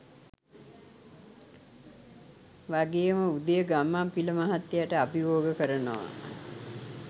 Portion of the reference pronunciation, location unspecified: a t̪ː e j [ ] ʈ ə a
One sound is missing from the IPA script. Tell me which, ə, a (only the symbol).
a